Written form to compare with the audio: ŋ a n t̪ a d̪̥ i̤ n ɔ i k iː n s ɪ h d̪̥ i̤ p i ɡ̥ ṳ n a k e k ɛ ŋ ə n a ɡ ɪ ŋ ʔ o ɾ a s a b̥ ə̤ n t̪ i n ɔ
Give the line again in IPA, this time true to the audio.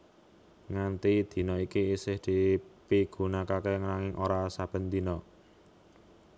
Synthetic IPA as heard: ŋ a n t̪ i d̪̥ i̤ n ɔ i k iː s ɪ h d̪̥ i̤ p i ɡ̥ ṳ n a k a k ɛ ŋ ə n a ŋ ɪ ŋ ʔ o ɾ a s a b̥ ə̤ n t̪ i n ɔ

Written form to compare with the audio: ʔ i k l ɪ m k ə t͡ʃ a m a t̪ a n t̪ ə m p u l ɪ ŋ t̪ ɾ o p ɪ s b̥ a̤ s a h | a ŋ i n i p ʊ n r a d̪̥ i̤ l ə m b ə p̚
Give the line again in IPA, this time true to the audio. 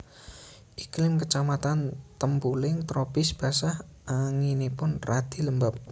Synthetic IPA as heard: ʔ i k l ɪ m k ə t͡ʃ a m a t̪ a n t̪ ə m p u l ɪ ŋ t̪ ɾ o p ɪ s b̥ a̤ s a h | a ŋ i n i p ʊ n r a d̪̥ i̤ l ə m b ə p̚

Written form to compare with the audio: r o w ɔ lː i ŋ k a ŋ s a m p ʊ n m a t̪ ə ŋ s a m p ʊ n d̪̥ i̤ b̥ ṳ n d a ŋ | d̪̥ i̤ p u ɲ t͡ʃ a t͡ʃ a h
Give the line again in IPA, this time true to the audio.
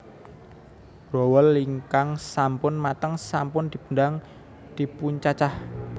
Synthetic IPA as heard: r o w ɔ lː i ŋ k a ŋ s a m p ʊ n m a t̪ ə ŋ s a m p ʊ n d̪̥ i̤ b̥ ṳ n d a ŋ | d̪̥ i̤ p u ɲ t͡ʃ a t͡ʃ a h

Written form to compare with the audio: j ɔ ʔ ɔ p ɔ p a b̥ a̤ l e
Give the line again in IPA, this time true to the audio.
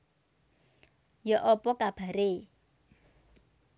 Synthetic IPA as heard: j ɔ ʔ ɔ p ɔ k a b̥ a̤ ɾ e

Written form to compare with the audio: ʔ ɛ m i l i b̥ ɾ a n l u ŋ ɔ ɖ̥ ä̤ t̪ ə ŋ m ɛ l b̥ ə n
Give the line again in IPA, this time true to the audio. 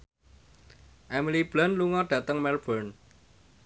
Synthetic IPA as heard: ʔ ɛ m i l i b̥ l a n l u ŋ ɔ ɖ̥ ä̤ t̪ ə ŋ m ɛ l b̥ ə n

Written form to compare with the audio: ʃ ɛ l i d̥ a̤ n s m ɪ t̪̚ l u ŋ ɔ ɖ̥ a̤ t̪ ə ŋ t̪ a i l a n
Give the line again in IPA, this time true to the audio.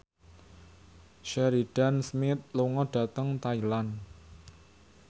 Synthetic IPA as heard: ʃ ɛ ɾ i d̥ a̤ n s m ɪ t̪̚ l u ŋ ɔ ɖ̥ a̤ t̪ ə ŋ t̪ a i l a n

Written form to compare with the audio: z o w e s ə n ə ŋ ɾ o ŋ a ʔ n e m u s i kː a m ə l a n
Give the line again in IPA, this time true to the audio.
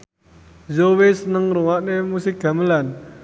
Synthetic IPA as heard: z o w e s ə n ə ŋ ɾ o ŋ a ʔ n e m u s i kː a m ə l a n

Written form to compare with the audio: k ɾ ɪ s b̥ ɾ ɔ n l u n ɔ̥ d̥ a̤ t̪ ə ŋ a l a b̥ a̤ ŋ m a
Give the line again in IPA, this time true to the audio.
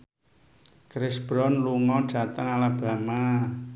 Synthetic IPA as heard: k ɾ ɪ s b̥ ɾ ɔ n l u ŋ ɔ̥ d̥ a̤ t̪ ə ŋ a l a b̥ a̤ m a

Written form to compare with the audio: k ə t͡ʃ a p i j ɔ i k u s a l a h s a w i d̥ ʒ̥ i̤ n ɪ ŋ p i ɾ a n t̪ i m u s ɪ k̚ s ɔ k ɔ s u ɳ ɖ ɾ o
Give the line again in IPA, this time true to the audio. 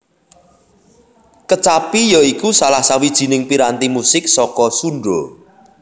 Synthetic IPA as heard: k ə t͡ʃ a p i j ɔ i k u s a l a h s a w i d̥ ʒ̥ i̤ n ɪ ŋ p i ɾ a n t̪ i m u s ɪ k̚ s ɔ k ɔ s u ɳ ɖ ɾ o

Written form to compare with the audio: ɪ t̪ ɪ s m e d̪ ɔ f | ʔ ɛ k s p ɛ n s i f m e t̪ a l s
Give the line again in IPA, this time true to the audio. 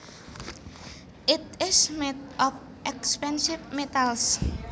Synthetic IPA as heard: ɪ t̪ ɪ s m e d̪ ɔ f | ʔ ɛ k s p ɛ n s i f m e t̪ a l s

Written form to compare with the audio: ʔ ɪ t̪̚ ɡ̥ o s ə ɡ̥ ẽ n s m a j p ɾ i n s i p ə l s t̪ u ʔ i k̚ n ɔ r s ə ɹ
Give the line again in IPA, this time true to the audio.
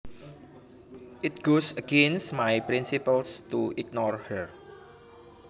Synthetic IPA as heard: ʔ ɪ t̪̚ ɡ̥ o s ə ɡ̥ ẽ n s m a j p ɾ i n s i p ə l s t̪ u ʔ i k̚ n ɔ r h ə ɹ

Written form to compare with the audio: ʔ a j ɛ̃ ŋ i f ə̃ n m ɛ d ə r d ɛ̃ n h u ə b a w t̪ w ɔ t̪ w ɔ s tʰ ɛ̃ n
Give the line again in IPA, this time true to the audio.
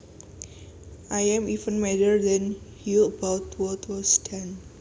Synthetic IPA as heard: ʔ a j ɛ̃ m i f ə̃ n m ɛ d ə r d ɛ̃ n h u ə b a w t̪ w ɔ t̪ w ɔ s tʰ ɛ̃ n

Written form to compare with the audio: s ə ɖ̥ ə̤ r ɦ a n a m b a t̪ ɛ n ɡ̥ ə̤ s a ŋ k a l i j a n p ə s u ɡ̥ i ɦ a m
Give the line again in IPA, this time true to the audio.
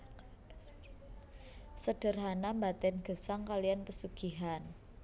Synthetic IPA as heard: s ə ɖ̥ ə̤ r ɦ a n a m b a t̪ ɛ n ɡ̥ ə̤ s a ŋ k a l i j a n p ə s u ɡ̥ i ɦ a n

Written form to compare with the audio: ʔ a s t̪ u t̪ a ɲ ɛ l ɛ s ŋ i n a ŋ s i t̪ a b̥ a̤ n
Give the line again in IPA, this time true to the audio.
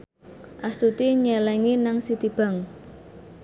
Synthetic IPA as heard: ʔ a s t̪ u t̪ i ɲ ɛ l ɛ ŋ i n a ŋ s i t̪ i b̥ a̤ ŋ

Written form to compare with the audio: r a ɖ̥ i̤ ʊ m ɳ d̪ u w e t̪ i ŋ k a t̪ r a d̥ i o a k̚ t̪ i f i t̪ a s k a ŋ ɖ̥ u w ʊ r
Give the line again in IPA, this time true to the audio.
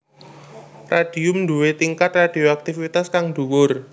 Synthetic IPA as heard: r a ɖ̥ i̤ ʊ m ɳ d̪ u w e t̪ i ŋ k a t̪ r a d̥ i o a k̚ t̪ i f i t̪ a s k a ŋ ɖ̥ u w ʊ r

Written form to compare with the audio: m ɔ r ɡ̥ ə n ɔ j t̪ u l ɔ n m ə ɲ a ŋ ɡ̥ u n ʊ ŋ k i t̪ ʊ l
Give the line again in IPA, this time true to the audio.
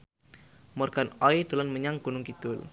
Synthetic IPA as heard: m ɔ r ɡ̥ a n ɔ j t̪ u l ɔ n m ə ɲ a ŋ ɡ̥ u n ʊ ŋ k i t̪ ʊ l

